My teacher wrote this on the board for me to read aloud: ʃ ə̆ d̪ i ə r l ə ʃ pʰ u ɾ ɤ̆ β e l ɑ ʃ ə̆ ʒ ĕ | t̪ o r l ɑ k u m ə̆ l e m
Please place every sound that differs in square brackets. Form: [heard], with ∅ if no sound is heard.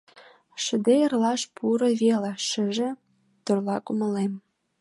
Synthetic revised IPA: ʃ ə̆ d̪ [e] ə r l [ɑ] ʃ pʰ u ɾ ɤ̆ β e l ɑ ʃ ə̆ ʒ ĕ | t̪ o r l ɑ k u m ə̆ l e m